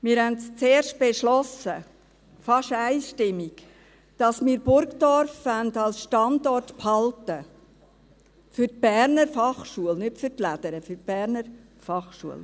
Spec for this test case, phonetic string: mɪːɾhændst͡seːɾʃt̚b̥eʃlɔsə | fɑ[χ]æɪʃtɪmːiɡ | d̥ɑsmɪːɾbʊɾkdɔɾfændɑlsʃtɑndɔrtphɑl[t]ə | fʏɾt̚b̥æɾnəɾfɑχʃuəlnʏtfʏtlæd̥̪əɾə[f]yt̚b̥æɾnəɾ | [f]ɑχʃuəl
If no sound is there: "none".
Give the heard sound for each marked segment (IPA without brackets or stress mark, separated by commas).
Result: ʃ, t, f, f